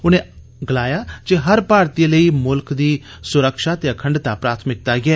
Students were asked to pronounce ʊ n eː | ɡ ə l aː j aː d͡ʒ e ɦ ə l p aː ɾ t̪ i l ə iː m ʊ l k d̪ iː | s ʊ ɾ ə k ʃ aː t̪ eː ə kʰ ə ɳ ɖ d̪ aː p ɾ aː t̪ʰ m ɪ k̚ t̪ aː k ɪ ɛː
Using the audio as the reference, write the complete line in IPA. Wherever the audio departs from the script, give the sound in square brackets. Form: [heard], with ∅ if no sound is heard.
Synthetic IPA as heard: ʊ n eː | ɡ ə l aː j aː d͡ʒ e ɦ ə [ɾ] p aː ɾ t̪ i l ə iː m ʊ l k d̪ iː | s ʊ ɾ ə k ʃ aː t̪ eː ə kʰ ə ɳ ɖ [t̪] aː p ɾ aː t̪ʰ m ɪ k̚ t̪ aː [ɡ] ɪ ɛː